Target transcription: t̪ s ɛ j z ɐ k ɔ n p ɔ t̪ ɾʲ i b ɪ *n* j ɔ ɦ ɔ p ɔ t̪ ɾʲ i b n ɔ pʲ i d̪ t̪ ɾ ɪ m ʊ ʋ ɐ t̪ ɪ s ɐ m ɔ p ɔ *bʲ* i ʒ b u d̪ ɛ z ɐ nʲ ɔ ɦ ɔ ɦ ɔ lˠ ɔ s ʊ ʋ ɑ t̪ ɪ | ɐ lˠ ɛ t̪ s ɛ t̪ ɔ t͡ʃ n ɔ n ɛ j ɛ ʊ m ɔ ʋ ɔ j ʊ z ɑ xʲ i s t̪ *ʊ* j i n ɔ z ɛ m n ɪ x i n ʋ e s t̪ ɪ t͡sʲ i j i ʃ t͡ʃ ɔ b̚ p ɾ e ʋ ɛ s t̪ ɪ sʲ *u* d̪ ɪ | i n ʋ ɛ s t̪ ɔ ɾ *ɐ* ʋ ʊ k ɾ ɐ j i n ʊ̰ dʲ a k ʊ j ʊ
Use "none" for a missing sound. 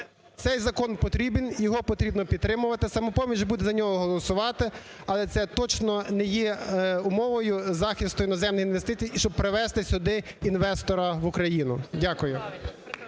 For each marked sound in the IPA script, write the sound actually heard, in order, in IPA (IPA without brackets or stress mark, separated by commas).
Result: n, mʲ, ʊ, ʊ, ɐ